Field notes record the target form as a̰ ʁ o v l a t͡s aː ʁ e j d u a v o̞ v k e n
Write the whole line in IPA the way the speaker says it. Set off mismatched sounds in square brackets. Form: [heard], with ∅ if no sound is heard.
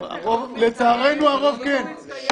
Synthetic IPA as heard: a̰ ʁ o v l [e] t͡s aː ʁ e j [n] u a [ʁ] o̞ v k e n